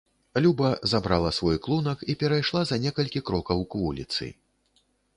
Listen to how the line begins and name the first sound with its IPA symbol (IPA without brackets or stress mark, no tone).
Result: lʲ